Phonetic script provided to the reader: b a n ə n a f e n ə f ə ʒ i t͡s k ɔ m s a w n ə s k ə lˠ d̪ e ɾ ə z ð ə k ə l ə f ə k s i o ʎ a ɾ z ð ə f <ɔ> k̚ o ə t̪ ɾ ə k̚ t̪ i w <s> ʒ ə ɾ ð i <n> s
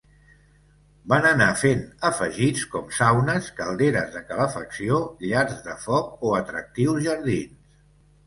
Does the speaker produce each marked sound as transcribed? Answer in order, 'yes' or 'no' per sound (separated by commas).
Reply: yes, no, yes